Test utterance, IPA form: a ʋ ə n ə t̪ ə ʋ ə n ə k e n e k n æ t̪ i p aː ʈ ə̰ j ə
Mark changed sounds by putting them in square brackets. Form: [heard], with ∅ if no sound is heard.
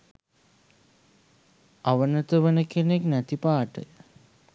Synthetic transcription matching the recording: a ʋ ə n ə t̪ ə ʋ ə n ə k e n e k n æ t̪ i p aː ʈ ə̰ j ə